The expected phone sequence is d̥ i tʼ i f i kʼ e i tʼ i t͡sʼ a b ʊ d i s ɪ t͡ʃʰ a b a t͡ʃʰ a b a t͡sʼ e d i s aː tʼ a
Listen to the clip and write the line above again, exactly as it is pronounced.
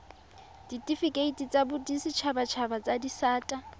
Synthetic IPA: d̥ i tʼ i f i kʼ e i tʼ i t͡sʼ a b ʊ d i s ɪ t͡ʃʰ a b a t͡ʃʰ a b a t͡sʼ a d i s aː tʼ a